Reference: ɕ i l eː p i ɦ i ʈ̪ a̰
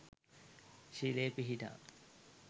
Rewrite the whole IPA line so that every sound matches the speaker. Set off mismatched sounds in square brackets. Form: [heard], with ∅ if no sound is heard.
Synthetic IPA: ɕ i l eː p i ɦ i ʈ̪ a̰